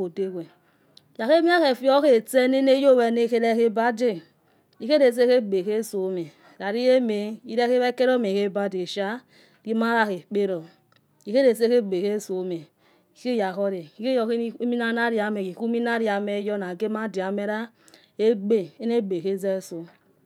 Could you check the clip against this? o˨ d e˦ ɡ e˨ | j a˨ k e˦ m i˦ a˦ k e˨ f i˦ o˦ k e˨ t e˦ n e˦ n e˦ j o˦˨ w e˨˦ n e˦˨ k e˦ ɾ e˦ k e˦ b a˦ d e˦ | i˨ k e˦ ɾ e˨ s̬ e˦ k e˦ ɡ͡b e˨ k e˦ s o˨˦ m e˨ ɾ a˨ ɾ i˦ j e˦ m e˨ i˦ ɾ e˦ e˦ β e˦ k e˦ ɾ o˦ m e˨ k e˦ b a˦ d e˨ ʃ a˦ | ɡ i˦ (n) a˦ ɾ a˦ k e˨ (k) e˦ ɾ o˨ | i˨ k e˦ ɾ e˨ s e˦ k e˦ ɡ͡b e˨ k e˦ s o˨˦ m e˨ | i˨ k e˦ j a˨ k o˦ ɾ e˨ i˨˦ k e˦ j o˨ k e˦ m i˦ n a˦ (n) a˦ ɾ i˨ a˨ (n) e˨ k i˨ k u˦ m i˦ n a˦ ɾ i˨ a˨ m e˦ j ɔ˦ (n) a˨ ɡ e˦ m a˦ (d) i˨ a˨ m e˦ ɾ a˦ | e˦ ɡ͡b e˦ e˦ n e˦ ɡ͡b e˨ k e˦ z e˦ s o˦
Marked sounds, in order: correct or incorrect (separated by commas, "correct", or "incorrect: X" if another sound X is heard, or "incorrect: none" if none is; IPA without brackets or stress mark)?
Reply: incorrect: m, incorrect: k͡p, correct, incorrect: m, correct, correct